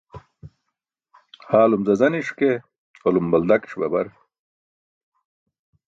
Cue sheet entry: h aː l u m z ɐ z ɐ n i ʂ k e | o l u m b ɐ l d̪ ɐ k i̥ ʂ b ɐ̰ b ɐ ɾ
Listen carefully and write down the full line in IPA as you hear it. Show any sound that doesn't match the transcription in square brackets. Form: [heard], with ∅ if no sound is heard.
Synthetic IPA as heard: h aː l u m z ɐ z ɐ n i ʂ k e | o l u m b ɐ l d̪ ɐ k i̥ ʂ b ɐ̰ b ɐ ɾ